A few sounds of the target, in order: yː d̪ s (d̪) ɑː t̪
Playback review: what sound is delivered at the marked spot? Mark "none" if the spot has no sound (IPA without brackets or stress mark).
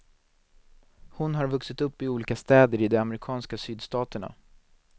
t̪